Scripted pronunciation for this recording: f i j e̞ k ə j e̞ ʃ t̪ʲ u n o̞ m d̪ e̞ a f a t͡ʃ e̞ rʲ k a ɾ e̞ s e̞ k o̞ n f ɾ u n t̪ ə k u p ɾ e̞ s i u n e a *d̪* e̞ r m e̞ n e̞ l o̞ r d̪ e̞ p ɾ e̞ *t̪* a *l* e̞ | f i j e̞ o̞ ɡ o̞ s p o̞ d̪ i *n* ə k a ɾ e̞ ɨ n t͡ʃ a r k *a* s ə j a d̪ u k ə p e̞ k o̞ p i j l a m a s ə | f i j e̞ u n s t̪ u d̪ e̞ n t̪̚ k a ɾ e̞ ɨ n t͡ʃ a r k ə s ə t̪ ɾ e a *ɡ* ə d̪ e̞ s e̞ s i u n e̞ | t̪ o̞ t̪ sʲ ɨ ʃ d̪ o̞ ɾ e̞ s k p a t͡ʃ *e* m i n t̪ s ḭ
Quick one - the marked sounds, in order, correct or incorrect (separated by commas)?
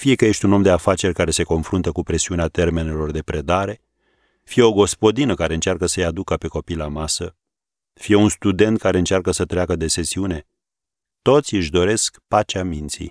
incorrect, incorrect, incorrect, correct, incorrect, incorrect, incorrect